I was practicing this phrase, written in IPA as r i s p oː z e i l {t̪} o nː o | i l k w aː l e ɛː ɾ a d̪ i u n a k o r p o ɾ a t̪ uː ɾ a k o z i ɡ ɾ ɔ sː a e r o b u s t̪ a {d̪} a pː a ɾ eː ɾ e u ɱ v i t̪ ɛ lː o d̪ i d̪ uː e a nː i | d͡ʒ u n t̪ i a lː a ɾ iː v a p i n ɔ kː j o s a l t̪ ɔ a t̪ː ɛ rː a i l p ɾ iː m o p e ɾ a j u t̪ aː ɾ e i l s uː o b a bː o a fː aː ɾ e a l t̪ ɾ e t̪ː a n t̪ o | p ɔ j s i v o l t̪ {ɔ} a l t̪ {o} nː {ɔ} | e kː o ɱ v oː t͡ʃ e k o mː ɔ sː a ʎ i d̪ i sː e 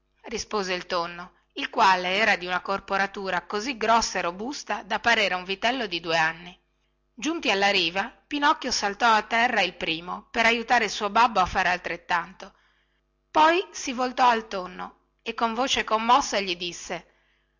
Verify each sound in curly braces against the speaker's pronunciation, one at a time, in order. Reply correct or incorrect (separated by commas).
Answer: correct, correct, correct, correct, incorrect